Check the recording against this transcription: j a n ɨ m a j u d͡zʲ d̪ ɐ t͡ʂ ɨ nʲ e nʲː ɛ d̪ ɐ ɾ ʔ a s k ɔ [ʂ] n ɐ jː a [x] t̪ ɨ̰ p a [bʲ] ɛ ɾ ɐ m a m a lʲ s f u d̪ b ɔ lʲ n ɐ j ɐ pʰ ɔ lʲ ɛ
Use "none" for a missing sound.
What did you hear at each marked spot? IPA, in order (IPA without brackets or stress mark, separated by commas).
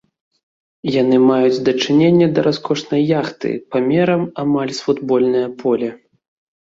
ʂ, x, mʲ